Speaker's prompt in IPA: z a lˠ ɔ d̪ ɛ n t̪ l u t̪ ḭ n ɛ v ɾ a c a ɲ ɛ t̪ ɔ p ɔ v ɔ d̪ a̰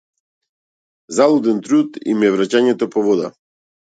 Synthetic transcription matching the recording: z a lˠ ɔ d̪ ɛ n t̪ ɾ u t̪ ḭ m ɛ v ɾ a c a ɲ ɛ t̪ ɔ p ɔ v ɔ d̪ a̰